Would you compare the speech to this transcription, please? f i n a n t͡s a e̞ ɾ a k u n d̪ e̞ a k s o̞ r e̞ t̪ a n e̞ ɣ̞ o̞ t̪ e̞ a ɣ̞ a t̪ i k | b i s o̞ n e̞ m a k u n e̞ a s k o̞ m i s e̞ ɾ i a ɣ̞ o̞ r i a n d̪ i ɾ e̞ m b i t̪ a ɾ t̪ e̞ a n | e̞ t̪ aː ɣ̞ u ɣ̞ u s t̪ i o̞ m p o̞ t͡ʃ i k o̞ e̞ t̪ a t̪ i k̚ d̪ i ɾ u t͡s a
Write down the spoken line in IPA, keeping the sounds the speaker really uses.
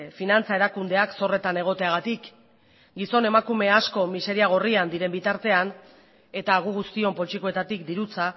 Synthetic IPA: f i n a n t͡s a e̞ ɾ a k u n d̪ e̞ a k s o̞ r e̞ t̪ a n e̞ ɣ̞ o̞ t̪ e̞ a ɣ̞ a t̪ i k | ɡ i s o̞ n e̞ m a k u m e̞ a s k o̞ m i s e̞ ɾ i a ɣ̞ o̞ r i a n d̪ i ɾ e̞ m b i t̪ a ɾ t̪ e̞ a n | e̞ t̪ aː ɣ̞ u ɣ̞ u s t̪ i o̞ m p o̞ t͡ʃ i k o̞ e̞ t̪ a t̪ i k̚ d̪ i ɾ u t͡s a